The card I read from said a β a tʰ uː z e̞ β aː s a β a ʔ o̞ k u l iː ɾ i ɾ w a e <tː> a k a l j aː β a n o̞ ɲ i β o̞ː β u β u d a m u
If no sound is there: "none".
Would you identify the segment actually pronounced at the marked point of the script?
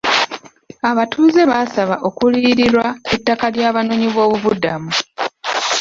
tː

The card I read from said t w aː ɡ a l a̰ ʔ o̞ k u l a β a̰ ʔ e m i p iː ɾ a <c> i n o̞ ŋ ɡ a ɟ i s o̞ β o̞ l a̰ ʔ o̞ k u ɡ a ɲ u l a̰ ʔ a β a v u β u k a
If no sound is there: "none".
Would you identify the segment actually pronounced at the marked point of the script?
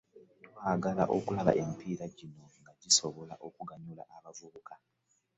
ɟ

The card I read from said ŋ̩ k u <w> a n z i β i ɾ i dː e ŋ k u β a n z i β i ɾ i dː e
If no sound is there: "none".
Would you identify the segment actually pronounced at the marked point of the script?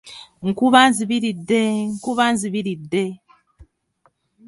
β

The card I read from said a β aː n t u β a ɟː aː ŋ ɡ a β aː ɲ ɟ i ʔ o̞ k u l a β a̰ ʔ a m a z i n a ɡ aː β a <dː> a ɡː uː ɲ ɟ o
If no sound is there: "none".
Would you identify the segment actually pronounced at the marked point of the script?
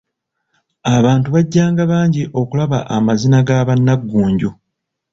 nː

